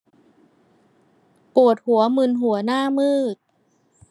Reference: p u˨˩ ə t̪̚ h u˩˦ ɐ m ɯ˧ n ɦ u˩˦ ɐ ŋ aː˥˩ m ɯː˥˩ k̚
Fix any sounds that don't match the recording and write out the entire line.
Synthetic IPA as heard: p u˨˩ ə t̪̚ h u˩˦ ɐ m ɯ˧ n ɦ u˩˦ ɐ n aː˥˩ m ɯː˥˩ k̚